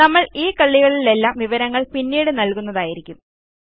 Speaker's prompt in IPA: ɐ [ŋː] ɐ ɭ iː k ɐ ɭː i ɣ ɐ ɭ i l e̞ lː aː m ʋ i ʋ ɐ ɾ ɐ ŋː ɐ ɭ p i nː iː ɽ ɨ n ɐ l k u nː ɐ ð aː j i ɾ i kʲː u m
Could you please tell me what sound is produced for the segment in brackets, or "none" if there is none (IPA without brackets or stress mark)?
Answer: mː